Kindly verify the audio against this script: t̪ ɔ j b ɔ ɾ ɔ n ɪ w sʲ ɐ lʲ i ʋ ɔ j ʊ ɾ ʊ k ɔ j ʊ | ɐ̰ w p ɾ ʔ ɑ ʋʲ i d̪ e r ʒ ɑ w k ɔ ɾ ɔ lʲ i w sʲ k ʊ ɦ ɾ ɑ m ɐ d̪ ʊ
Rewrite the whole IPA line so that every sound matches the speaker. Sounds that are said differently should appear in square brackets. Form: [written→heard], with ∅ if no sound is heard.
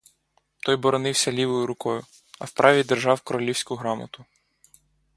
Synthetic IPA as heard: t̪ ɔ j b ɔ ɾ ɔ n ɪ w sʲ ɐ lʲ i ʋ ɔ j ʊ ɾ ʊ k ɔ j ʊ | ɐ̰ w p ɾ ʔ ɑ ʋʲ i d̪ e r ʒ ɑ w k ɔ ɾ ɔ lʲ i w sʲ k ʊ ɦ ɾ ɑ m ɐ [d̪→t̪] ʊ